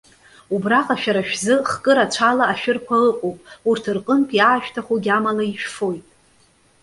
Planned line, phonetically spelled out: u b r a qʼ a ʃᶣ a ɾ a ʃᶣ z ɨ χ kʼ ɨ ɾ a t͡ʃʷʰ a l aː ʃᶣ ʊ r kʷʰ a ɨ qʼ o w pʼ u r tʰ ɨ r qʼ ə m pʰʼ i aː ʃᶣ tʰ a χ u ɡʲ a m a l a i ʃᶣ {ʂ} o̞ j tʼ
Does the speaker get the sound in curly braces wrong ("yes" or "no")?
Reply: yes